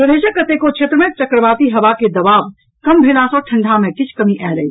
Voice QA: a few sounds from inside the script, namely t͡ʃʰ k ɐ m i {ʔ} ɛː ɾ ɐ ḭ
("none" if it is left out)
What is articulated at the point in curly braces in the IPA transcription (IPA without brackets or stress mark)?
ʔ